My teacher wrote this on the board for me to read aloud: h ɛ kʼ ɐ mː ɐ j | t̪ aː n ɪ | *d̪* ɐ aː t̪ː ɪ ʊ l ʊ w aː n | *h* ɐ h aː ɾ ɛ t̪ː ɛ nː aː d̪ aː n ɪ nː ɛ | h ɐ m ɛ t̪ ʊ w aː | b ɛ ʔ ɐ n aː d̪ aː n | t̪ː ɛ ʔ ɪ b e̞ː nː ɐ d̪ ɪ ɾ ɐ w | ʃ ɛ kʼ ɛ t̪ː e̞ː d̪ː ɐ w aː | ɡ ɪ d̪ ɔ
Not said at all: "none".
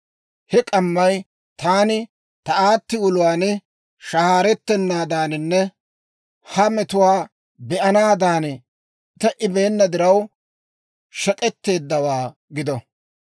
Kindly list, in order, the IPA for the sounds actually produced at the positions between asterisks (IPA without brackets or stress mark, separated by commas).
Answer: t̪, ʃ